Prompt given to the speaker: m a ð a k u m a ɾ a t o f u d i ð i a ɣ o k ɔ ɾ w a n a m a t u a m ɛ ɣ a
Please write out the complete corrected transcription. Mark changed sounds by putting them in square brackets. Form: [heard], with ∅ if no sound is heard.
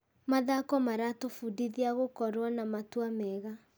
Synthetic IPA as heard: m a ð a k [ɔ] m a ɾ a t o f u d i ð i a ɣ o k ɔ ɾ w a n a m a t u a m ɛ ɣ a